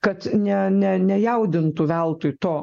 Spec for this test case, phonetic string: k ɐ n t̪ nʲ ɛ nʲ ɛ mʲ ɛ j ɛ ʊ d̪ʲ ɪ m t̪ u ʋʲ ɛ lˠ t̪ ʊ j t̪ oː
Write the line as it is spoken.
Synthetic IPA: k ɐ t̪ nʲ ɛ nʲ ɛ nʲ ɛ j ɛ ʊ d̪ʲ ɪ n t̪ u ʋʲ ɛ lˠ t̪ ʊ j t̪ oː